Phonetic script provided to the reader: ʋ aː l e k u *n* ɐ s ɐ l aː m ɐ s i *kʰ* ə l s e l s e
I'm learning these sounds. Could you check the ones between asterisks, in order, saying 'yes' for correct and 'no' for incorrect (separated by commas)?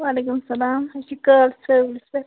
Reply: no, no